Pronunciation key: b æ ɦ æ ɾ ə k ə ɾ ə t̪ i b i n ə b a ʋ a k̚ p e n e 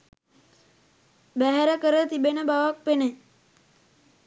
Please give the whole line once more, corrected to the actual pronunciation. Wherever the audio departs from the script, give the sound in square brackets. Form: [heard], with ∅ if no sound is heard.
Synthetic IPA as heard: b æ ɦ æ ɾ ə k ə ɾ ə t̪ i b [e] n ə b a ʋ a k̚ p e n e